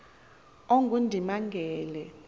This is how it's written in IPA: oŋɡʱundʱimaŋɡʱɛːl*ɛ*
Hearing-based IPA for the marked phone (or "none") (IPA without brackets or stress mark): ɛ